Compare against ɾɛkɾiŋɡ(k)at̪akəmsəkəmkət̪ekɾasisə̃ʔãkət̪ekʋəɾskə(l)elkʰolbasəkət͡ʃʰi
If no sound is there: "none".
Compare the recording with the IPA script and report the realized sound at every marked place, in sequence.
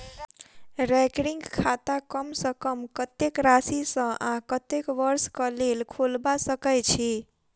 kʰ, l

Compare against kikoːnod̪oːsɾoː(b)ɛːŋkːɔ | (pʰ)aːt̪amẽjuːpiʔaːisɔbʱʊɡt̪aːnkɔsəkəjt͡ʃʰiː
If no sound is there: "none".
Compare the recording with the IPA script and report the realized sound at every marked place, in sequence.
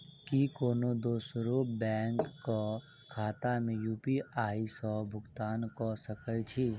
b, kʰ

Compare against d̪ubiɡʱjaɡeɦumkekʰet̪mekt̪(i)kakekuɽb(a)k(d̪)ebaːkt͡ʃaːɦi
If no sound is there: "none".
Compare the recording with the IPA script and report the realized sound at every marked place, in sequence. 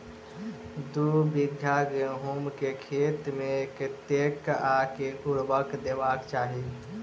e, ə, d̪

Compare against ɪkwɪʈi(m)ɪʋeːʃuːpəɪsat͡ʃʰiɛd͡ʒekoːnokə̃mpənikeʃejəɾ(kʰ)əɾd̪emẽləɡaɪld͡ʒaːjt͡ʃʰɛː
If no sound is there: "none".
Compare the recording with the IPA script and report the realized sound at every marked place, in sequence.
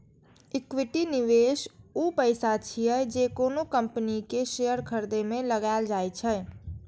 n, kʰ

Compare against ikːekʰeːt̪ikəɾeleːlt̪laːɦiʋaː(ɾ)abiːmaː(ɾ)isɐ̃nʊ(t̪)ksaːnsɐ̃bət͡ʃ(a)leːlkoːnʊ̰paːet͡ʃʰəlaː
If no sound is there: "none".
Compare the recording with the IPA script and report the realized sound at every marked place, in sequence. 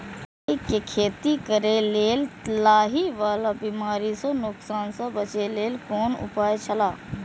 l, ɾ, none, e

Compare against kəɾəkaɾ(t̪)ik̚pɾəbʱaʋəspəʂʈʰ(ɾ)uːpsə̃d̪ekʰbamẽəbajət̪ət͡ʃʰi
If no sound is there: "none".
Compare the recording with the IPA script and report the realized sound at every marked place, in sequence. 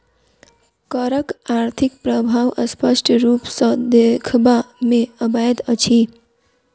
t̪ʰ, ɾ

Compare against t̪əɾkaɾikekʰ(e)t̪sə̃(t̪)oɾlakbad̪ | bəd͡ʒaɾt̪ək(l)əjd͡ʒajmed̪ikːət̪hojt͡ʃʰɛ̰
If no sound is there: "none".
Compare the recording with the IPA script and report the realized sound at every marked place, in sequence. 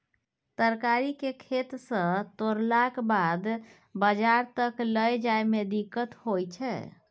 e, t̪, l

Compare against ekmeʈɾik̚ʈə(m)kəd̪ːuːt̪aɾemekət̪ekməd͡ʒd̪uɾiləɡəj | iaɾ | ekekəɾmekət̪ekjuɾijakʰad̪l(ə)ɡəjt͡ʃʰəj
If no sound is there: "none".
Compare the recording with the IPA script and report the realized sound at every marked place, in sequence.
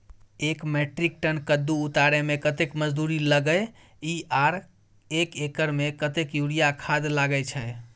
n, a

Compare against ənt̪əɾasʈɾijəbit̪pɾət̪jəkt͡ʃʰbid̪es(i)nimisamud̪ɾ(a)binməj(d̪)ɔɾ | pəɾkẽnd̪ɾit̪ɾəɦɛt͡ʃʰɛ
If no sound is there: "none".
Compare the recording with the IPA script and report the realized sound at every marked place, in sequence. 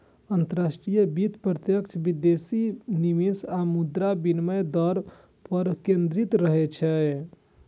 i, a, d̪

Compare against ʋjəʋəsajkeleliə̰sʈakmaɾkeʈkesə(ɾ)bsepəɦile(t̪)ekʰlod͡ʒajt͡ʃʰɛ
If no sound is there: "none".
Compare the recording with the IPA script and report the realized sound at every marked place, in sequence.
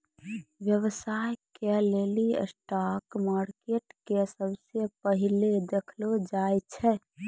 none, d̪

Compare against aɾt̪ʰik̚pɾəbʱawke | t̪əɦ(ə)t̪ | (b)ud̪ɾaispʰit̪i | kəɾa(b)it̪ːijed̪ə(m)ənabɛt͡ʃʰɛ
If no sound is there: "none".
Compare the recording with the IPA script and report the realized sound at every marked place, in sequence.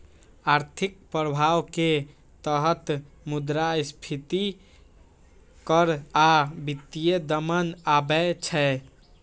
ə, m, b, m

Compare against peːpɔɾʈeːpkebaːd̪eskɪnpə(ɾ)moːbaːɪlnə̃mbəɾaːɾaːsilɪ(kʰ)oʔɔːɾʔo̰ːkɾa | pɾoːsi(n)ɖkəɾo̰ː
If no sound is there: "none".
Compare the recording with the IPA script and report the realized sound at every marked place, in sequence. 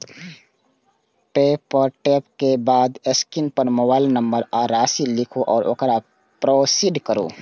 ɾ, kʰ, none

